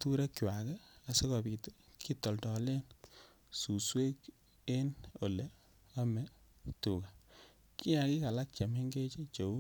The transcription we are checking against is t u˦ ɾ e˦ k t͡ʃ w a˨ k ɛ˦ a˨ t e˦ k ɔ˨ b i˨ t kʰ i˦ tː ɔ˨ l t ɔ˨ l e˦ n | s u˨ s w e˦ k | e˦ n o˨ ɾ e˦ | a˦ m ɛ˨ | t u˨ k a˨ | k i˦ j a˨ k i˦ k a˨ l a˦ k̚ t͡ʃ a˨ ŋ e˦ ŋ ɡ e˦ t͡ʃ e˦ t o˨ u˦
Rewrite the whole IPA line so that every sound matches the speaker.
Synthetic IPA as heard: t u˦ ɾ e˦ k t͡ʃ w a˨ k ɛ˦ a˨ s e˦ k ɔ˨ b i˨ t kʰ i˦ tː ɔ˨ l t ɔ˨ l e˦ n | s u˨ s w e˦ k | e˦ n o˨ l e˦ | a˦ m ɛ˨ | t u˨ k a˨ | k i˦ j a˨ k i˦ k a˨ l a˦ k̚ t͡ʃ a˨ m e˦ ŋ ɡ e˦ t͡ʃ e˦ t͡ʃ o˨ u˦